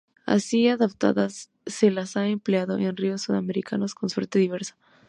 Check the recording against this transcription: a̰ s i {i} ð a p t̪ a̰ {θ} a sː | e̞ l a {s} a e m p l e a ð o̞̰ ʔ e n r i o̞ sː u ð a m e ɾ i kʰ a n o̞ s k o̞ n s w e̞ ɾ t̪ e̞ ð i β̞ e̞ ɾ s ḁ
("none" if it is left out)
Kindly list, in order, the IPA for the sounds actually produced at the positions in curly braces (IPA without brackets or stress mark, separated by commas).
a, ð, s